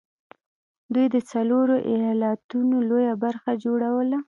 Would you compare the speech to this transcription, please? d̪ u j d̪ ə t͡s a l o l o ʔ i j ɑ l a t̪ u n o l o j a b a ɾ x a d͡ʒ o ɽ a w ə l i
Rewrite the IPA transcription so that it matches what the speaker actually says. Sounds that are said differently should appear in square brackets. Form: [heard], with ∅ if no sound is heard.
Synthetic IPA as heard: d̪ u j d̪ ə t͡s a l o [ɾ] o ʔ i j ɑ l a t̪ u n o l o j a b a ɾ x a d͡ʒ o ɽ a w ə l [a]